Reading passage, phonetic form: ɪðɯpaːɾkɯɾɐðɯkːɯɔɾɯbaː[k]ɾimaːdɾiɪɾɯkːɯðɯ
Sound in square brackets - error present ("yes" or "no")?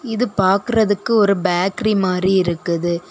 no